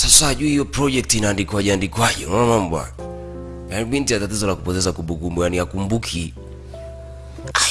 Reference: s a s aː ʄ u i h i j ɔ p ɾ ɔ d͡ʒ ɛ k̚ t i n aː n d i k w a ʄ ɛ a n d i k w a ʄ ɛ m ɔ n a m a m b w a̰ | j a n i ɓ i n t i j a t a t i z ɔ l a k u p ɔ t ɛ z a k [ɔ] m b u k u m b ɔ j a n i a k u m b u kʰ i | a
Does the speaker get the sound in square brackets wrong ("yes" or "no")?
yes